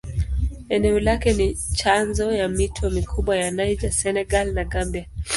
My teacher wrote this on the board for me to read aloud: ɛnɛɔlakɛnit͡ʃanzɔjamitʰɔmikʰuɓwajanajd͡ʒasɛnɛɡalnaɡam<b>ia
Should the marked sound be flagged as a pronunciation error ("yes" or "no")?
no